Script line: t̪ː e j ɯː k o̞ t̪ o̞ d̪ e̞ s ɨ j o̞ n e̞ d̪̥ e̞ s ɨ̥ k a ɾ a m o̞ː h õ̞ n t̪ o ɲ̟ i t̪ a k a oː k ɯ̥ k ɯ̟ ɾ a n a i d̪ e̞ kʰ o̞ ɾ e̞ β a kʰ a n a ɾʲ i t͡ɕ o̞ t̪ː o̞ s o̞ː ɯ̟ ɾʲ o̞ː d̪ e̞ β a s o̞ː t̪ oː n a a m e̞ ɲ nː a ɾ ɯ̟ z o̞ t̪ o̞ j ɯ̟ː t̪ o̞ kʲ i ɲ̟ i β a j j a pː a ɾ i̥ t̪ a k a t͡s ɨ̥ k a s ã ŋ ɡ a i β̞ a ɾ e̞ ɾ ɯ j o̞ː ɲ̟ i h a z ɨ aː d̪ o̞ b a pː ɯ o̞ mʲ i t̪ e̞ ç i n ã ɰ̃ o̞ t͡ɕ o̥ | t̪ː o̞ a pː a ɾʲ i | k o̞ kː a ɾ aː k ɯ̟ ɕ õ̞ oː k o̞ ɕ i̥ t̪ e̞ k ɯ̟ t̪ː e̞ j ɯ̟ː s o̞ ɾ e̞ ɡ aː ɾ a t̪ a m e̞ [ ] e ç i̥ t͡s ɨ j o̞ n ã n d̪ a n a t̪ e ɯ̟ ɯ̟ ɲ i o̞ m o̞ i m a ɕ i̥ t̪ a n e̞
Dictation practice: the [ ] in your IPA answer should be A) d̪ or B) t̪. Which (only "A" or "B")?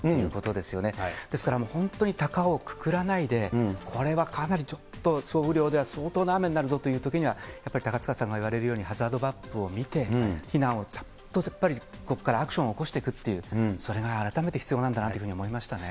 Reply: B